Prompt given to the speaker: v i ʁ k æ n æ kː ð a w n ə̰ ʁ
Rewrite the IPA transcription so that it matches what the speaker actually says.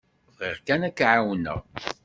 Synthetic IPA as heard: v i ʁ k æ n æ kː ʕ a w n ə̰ ʁ